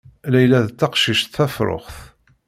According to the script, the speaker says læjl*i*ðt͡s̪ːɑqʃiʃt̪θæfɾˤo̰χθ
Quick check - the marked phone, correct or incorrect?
incorrect